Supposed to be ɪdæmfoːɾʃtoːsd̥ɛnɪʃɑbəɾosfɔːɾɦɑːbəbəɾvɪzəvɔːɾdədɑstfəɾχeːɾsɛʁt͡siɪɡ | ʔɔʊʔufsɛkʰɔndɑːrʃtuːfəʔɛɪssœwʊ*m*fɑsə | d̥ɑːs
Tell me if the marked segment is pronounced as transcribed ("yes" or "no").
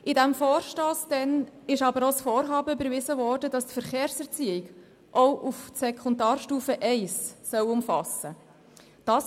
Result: yes